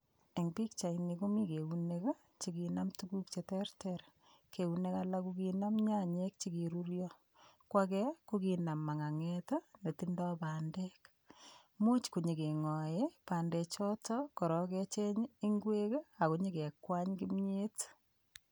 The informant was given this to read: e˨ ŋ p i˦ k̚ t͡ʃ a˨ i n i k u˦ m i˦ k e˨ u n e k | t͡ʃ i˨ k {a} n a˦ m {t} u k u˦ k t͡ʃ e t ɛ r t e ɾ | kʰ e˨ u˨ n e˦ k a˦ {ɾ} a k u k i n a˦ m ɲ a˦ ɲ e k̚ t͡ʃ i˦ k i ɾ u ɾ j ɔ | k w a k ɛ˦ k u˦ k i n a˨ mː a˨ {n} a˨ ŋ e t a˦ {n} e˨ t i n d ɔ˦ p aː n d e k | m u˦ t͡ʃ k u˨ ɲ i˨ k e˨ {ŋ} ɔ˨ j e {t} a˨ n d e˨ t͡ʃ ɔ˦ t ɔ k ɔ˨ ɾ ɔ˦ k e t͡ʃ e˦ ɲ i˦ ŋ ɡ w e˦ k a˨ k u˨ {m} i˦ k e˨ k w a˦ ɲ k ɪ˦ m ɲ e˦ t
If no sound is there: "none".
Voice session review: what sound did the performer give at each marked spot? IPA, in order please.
i, t, l, ŋ, n, ŋ, p, ɲ

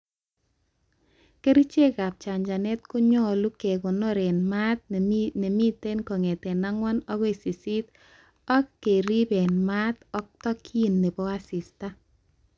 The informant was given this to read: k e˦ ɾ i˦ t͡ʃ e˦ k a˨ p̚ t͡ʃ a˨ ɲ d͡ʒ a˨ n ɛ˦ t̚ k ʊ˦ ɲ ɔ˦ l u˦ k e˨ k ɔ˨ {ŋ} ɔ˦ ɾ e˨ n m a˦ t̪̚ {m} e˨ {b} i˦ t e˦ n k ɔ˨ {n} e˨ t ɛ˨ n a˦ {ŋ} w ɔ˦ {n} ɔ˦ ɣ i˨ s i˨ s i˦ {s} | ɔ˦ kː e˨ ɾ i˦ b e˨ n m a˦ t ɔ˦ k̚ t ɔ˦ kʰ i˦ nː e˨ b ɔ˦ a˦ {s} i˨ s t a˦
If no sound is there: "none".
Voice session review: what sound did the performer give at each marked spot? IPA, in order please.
n, n, m, ŋ, ŋ, n, t, s

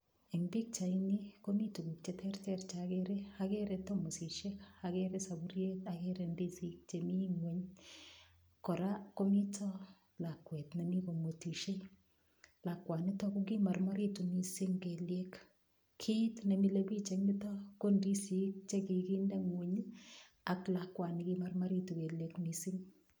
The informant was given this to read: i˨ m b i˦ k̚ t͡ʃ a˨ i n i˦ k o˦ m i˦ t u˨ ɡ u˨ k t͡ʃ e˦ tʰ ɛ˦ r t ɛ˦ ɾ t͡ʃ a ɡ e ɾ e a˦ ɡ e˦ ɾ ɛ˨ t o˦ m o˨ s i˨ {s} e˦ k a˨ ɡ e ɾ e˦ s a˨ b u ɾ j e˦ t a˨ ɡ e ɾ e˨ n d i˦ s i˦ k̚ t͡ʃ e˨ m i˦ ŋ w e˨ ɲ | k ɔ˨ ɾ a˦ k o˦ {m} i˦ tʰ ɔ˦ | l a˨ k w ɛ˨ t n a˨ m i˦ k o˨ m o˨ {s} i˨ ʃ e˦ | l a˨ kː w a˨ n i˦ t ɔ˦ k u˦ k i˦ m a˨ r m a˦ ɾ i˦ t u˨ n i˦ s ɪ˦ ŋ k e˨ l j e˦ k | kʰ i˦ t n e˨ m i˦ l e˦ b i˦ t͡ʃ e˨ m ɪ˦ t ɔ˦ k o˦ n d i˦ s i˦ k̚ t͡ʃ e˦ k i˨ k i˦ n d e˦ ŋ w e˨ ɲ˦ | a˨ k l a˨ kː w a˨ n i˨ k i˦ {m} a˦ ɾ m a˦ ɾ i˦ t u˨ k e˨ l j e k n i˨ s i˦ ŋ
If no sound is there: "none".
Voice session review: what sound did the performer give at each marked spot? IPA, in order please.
ʃ, m, t, m

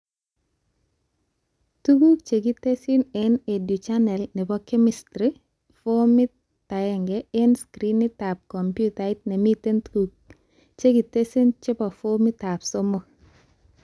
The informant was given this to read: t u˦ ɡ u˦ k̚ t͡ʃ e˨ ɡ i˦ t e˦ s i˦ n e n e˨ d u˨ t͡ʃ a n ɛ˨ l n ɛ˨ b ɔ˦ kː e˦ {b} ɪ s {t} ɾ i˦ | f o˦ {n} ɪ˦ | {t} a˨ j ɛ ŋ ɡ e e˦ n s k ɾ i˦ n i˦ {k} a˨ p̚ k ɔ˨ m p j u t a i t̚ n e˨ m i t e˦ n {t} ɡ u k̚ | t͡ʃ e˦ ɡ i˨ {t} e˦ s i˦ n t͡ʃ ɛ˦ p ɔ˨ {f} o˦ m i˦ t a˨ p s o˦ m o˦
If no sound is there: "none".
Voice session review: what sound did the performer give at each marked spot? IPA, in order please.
m, t, m, t, t, t, t, f

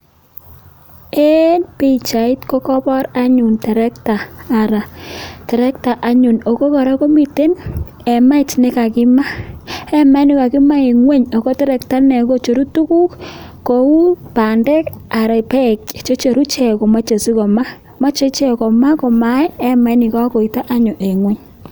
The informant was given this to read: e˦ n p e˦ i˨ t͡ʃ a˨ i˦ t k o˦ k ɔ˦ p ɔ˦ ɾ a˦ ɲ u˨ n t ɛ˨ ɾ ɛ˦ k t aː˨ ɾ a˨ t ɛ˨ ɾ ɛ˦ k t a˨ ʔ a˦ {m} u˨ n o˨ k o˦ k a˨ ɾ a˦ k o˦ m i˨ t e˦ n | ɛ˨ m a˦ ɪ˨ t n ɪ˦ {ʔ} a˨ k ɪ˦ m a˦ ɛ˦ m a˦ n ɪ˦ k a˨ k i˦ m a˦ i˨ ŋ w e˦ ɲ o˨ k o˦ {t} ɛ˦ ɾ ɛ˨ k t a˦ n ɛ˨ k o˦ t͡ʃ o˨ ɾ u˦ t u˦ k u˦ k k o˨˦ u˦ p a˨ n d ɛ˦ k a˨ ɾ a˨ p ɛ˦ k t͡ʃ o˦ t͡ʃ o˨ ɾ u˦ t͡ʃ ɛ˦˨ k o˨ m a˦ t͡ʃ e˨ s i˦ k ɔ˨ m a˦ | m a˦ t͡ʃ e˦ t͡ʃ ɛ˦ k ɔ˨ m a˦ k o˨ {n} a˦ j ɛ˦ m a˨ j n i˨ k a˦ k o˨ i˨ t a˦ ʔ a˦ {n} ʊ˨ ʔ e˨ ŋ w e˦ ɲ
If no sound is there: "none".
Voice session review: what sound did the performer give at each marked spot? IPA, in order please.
ɲ, k, t, m, ɲ

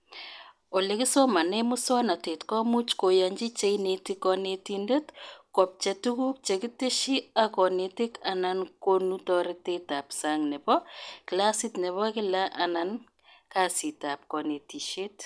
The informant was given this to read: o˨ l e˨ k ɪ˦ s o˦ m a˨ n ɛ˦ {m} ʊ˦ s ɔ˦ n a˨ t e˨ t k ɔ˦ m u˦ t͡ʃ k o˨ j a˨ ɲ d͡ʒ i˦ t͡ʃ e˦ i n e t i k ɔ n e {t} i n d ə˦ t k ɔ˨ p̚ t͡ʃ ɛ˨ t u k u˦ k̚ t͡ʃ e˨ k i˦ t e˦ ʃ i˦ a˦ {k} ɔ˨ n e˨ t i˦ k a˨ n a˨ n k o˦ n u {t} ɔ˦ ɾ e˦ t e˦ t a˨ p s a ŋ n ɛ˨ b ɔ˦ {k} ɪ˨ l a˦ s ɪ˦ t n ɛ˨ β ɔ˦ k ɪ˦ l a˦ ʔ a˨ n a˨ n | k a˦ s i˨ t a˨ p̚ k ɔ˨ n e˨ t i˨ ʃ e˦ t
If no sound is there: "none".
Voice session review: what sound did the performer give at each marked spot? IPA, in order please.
m, t, k, t, k

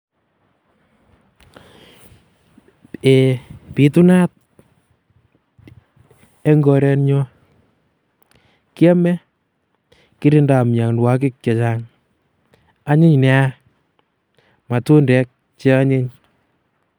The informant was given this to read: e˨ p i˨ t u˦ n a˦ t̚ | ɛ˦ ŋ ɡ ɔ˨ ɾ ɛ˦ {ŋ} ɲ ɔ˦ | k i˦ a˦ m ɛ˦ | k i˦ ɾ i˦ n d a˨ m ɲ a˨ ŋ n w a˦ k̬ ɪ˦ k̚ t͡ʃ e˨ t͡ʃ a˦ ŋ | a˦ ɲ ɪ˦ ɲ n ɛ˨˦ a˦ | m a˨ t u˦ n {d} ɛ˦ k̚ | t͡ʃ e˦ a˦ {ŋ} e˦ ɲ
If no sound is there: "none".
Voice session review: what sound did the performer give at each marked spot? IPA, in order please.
n, d, ɲ

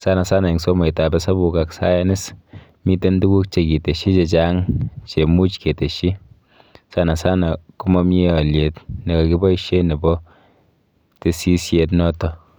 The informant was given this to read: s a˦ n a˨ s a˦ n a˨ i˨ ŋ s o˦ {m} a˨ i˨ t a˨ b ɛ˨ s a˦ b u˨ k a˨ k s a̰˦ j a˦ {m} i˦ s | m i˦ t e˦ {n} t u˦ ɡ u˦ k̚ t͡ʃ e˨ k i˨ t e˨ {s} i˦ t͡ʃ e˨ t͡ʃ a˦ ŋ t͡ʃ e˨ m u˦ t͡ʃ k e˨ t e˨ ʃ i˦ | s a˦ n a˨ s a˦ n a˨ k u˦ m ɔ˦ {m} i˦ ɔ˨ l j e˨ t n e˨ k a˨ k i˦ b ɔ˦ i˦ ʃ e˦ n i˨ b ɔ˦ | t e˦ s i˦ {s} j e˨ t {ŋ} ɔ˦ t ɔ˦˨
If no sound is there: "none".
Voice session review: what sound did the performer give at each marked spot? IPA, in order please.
m, n, n, ʃ, m, s, n

